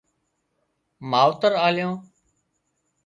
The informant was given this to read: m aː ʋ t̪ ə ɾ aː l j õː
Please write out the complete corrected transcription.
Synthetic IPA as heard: m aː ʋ t̪ ə ɾ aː l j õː